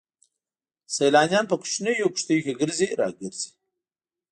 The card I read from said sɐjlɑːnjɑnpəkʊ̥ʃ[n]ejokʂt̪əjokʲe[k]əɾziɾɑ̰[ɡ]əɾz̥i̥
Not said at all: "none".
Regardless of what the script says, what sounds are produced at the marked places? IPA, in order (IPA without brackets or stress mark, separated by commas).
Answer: n, ɡ, ɡ